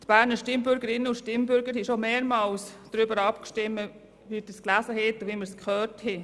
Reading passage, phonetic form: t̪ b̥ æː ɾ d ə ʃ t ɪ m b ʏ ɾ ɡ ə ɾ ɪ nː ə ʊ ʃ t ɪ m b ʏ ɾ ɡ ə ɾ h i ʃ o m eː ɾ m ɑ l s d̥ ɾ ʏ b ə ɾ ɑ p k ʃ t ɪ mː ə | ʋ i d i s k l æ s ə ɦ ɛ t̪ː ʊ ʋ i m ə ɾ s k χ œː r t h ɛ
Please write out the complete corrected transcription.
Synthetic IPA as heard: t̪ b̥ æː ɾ n ə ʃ t ɪ m b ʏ ɾ ɡ ə ɾ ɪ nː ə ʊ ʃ t ɪ m b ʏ ɾ ɡ ə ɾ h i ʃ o m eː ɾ m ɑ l s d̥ ɾ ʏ b ə ɾ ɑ p k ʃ t ɪ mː ə | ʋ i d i s k l æ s ə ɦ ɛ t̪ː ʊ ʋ i m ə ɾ s k χ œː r t h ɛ